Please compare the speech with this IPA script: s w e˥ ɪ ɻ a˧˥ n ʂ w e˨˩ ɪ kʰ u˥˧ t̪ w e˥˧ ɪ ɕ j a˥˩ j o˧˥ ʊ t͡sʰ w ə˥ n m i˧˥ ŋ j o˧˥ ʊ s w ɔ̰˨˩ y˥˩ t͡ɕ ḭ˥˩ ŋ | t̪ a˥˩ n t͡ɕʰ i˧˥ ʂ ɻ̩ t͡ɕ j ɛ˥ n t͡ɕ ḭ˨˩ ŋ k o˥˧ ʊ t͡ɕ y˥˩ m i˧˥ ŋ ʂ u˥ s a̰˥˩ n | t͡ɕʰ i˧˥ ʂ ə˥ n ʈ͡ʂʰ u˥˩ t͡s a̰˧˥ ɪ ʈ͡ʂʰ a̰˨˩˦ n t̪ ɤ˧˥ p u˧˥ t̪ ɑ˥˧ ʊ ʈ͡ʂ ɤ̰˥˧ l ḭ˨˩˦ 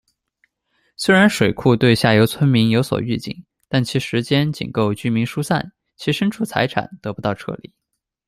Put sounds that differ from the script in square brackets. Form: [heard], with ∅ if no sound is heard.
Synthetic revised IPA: s w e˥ ɪ ɻ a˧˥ n ʂ w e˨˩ ɪ kʰ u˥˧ t̪ w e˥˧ ɪ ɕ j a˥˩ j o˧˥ ʊ t͡sʰ w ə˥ n m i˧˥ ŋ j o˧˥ ʊ s w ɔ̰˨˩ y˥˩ t͡ɕ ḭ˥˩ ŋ | t̪ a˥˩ n t͡ɕʰ i˧˥ ʂ ɻ̩ t͡ɕ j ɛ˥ n t͡ɕ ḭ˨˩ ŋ k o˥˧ ʊ t͡ɕ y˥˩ m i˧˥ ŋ ʂ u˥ s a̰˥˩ n | t͡ɕʰ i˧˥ ʂ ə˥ n ʈ͡ʂʰ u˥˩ [t͡sʰ] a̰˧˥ ɪ ʈ͡ʂʰ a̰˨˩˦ n t̪ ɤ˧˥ p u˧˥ t̪ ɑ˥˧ ʊ [ʈ͡ʂʰ] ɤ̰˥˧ l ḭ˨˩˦